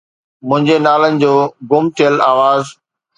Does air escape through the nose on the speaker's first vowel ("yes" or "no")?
yes